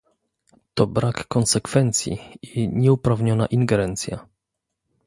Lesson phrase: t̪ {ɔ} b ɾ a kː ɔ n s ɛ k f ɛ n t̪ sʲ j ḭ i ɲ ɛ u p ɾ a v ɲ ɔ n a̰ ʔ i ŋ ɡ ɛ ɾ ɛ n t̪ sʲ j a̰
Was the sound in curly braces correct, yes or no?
yes